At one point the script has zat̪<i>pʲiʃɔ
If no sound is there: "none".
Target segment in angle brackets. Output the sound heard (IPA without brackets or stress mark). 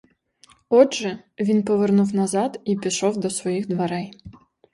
i